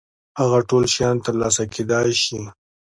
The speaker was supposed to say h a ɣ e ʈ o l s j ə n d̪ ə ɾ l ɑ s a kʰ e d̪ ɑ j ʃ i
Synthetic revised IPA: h a ɣ a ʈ o l ʃ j ɑ n t̪ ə ɾ l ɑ s a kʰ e d̪ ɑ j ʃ i